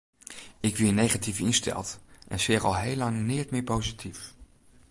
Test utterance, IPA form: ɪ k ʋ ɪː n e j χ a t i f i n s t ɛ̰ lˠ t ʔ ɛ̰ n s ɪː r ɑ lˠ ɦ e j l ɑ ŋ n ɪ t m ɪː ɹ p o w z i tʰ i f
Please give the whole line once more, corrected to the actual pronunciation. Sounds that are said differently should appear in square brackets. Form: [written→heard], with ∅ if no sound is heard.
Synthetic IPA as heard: ɪ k ʋ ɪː n e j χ a t i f [i→ɪ] n s t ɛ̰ lˠ t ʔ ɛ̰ n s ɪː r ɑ lˠ ɦ e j l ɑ ŋ n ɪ t m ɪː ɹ p o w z i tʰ i f